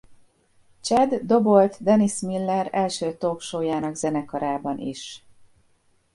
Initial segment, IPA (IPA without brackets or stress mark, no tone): t͡ʃ